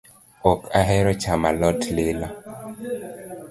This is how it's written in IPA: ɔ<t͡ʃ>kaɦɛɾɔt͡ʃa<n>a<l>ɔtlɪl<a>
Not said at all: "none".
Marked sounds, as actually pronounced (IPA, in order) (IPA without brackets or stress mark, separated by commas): none, m, l, a